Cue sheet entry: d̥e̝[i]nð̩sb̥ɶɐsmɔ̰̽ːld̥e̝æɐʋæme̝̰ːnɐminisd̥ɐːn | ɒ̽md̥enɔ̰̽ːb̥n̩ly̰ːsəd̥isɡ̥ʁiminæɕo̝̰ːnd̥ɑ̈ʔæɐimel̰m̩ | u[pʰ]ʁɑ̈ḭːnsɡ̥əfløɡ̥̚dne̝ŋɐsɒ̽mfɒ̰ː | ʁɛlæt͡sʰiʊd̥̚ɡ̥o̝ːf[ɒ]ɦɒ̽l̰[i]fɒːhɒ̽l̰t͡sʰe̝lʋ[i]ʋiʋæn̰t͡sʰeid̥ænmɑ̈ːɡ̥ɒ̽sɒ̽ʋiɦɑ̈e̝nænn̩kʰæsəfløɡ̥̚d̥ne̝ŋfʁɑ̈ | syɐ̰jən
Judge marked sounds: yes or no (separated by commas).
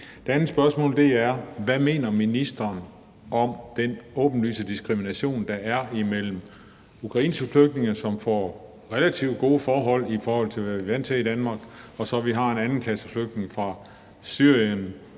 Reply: no, no, no, yes, no